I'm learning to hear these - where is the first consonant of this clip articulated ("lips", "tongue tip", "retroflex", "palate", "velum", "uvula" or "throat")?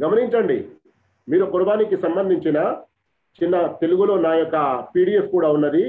velum